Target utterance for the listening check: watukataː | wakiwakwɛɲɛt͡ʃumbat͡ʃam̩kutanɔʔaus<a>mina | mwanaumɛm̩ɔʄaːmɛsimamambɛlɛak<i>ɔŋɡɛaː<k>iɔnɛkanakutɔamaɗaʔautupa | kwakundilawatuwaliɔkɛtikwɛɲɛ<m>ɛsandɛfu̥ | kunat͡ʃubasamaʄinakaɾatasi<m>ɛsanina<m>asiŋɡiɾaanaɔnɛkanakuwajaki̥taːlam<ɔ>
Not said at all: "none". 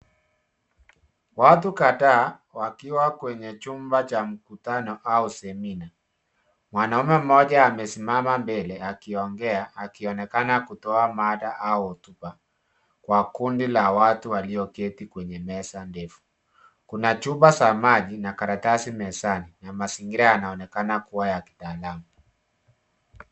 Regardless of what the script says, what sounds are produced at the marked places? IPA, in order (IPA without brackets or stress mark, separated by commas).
ɛ, i, k, m, m, m, u